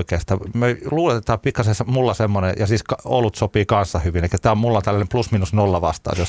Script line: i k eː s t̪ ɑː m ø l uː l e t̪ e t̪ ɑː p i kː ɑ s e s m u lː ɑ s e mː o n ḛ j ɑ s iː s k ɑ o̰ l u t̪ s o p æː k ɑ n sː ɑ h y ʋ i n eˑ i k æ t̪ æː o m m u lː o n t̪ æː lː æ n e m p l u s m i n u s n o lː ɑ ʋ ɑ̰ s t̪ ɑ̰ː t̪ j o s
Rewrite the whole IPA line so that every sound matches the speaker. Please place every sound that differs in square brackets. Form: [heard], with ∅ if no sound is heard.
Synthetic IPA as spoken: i k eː s t̪ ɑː m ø l uː l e t̪ e t̪ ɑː p i kː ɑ s e s m u lː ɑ s e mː o n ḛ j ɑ s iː s k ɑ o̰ l u t̪ s o p [iː] k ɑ n sː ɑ h y ʋ i n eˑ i k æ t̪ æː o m m u lː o n t̪ [æ] lː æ n e m p l u s m i n u s n o lː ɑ ʋ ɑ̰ s t̪ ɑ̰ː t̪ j o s